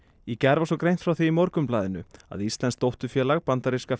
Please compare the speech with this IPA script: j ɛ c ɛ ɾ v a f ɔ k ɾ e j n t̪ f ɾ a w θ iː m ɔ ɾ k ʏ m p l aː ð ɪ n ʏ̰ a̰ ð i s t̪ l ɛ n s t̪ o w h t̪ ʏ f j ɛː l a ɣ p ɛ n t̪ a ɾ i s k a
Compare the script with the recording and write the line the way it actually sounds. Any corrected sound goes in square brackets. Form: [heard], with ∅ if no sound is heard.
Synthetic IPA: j ɛ c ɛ ɾ v a [s] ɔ k ɾ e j n t̪ f ɾ a w θ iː m ɔ ɾ k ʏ m p l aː ð ɪ n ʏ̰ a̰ ð i s t̪ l ɛ n s t̪ o w h t̪ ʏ f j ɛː l a ɣ p [a] n t̪ a ɾ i s k a